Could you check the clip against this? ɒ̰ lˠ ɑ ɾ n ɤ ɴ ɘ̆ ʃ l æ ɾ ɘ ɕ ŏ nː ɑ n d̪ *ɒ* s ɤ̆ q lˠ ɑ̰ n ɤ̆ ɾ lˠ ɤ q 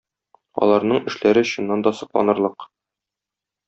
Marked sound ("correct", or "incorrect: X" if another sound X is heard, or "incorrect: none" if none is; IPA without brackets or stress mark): correct